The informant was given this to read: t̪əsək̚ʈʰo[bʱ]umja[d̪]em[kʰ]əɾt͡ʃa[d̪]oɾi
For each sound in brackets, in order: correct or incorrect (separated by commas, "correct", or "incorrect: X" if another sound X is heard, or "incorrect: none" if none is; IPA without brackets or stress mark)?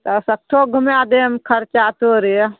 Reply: incorrect: ɡʱ, correct, correct, incorrect: t̪